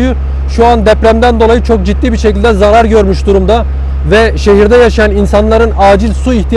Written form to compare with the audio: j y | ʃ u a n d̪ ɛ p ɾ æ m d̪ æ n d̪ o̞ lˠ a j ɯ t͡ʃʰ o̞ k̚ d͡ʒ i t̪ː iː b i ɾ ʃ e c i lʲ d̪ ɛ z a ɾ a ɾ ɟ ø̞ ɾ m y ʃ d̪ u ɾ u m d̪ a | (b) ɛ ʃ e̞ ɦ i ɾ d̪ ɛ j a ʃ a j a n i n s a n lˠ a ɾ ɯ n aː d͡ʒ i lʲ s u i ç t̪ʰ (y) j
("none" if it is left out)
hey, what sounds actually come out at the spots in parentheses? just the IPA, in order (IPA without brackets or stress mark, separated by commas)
v, i